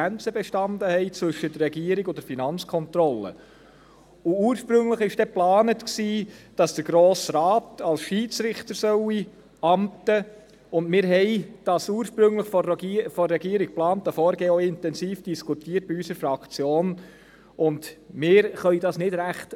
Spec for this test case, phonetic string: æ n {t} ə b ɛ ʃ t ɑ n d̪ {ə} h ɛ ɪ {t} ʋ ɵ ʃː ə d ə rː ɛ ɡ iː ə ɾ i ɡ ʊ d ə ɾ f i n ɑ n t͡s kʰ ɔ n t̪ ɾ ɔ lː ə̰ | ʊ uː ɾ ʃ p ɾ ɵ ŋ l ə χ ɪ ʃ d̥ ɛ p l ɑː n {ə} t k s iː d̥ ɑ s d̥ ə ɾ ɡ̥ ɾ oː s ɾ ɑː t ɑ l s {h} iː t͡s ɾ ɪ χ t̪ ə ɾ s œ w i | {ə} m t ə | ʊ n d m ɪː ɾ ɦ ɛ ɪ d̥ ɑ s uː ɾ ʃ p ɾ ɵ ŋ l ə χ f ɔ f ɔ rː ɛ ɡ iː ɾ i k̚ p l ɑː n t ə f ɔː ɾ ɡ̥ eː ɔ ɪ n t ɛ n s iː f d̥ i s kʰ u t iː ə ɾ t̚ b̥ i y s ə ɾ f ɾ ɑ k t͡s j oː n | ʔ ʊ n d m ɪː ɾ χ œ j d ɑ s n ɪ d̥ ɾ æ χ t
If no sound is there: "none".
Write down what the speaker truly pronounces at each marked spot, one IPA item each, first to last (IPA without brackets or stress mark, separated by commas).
t͡s, ə, t͡s, ə, ʃ, ɑ